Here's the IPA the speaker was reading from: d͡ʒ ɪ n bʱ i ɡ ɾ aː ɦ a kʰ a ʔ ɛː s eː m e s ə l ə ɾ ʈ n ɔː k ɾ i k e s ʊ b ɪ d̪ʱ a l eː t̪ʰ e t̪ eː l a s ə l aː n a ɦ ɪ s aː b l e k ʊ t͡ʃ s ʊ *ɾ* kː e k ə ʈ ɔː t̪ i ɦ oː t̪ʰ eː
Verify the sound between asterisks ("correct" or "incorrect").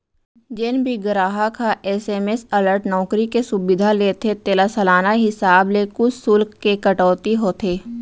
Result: incorrect